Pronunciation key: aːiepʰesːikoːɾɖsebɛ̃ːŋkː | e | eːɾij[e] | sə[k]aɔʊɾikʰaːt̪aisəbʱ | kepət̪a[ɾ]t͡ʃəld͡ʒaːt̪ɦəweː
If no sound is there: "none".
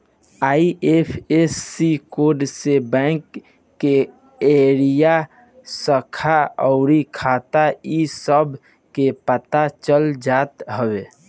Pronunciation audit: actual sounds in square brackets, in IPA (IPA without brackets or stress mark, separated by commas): a, kʰ, none